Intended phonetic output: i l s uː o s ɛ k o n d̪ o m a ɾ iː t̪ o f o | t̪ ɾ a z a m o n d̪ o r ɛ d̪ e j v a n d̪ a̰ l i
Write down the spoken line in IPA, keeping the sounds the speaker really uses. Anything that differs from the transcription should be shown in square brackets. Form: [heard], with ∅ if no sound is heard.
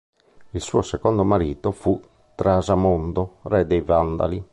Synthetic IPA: i l s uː o s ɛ k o n d̪ o m a ɾ iː t̪ o f [u] | t̪ ɾ a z a m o n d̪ o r ɛ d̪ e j v a n d̪ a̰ l i